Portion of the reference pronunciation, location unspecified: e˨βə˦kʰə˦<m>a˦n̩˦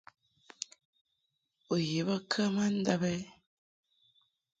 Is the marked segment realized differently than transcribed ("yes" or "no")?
no